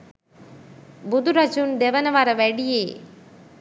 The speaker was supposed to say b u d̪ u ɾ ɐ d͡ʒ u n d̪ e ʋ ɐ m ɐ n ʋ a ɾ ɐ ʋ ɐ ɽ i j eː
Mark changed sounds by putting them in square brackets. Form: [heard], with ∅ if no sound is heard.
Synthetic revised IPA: b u d̪ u ɾ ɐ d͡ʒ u n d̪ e ʋ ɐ [n] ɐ [∅] ʋ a ɾ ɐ ʋ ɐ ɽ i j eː